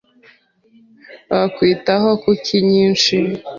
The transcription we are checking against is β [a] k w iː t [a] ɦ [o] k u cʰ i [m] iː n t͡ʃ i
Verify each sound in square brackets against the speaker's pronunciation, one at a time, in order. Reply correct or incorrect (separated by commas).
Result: correct, correct, correct, incorrect